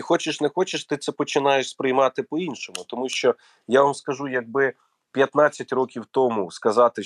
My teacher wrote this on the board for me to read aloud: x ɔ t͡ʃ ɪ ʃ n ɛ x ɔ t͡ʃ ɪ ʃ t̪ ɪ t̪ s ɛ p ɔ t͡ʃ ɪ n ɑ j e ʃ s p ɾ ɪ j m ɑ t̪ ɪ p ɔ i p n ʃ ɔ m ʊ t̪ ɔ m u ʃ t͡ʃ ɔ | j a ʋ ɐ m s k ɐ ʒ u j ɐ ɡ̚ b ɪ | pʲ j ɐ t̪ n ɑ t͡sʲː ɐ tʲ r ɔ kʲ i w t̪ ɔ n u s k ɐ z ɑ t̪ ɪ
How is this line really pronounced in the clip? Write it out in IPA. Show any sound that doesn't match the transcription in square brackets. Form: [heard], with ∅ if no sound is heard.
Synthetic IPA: x ɔ t͡ʃ ɪ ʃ n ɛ x ɔ t͡ʃ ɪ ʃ t̪ ɪ t̪ s ɛ p ɔ t͡ʃ ɪ n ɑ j e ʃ s p ɾ ɪ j m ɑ t̪ ɪ p ɔ i [∅] n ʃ ɔ m ʊ t̪ ɔ m u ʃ t͡ʃ ɔ | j a ʋ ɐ m s k ɐ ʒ u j ɐ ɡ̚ b ɪ | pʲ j ɐ t̪ n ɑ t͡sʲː ɐ tʲ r ɔ kʲ i w t̪ ɔ [m] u s k ɐ z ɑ t̪ ɪ